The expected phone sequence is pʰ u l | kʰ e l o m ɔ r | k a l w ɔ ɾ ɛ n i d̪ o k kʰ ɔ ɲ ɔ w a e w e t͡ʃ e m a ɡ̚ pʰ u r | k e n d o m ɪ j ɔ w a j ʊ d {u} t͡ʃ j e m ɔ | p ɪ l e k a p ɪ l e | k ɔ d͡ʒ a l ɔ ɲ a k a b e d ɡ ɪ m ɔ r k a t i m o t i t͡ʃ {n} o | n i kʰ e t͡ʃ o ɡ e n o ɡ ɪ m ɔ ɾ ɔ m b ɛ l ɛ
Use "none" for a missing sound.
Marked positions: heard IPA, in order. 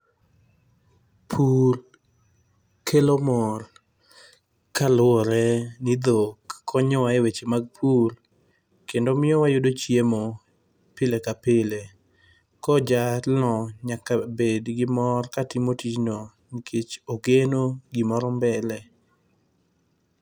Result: o, n

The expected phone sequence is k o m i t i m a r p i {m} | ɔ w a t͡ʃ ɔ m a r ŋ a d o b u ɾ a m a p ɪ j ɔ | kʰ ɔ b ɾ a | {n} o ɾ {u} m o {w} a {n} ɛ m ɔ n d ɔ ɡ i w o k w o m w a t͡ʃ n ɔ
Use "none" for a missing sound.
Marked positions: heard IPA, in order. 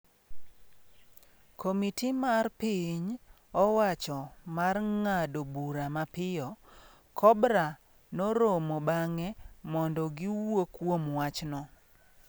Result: ɲ, n, o, b, ŋ

